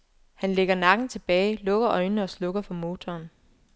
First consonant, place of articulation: glottal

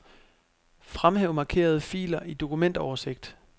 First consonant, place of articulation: labial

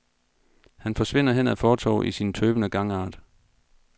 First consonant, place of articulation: glottal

